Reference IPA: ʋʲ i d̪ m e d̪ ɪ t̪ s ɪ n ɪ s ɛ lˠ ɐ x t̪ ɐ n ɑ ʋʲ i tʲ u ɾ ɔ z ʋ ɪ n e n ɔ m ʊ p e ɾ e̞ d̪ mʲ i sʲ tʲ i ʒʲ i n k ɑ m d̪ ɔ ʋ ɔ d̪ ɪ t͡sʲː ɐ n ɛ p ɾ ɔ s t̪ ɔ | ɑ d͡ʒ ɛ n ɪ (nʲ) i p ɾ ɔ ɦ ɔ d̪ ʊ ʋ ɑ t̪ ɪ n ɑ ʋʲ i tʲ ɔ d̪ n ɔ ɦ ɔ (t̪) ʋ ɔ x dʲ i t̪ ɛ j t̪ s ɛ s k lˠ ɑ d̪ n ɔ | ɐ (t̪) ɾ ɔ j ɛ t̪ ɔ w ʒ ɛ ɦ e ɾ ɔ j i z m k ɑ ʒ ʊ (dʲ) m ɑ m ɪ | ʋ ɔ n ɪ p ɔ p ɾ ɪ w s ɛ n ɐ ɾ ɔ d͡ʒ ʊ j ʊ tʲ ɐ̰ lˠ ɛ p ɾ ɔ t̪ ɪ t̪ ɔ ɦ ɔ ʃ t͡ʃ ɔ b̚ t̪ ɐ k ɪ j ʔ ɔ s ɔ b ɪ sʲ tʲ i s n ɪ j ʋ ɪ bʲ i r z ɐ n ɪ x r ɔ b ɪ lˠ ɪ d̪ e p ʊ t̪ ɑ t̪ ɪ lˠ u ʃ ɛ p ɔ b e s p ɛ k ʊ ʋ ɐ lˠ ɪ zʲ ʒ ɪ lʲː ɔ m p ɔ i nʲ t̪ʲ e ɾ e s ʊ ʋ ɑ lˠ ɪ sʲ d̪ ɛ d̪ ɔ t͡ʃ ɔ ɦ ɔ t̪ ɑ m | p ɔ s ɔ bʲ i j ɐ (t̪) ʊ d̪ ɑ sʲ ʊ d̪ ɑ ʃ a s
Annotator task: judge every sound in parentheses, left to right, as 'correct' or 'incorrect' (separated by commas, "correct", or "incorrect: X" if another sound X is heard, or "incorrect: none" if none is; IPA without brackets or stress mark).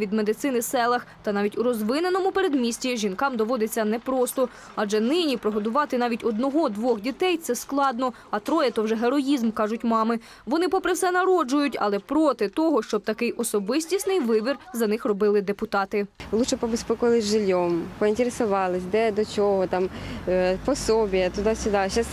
correct, incorrect: d̪, correct, incorrect: tʲ, correct